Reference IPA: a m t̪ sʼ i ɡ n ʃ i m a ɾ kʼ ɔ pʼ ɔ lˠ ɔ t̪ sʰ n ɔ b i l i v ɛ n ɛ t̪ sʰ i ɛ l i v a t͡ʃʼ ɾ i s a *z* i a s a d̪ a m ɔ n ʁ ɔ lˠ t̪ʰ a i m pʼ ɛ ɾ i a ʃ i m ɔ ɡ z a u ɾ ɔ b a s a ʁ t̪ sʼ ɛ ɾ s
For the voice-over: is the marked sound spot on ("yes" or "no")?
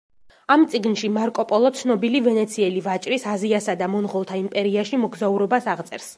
yes